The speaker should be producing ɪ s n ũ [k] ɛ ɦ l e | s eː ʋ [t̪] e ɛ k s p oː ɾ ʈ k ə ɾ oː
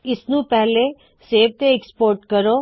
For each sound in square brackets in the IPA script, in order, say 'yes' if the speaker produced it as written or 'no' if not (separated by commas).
no, yes